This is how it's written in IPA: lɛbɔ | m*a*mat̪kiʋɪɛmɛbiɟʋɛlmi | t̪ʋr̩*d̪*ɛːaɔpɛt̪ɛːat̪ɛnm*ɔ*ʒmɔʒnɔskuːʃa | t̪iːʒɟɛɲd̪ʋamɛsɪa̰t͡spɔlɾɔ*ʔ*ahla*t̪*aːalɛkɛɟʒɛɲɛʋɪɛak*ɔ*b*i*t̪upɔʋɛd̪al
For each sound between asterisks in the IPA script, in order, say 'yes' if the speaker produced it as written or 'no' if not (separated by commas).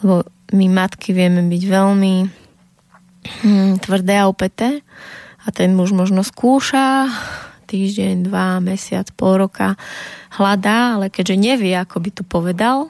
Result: no, yes, no, no, no, yes, yes